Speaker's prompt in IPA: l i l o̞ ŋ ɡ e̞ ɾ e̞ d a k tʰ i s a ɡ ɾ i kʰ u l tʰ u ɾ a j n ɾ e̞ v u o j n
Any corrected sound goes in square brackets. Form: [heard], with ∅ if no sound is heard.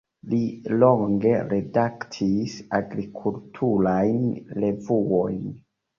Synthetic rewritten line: l i l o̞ ŋ ɡ e̞ ɾ e̞ d a k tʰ i s a ɡ ɾ i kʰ u l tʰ u ɾ a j n [l] e̞ v u o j n